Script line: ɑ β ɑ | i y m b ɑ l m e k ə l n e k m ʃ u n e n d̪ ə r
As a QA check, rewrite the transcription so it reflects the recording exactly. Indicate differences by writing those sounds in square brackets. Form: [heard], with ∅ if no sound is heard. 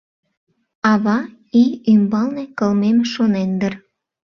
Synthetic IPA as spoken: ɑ β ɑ | i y m b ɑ l [n] e k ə l [m] e [∅] m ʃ [o] n e n d̪ ə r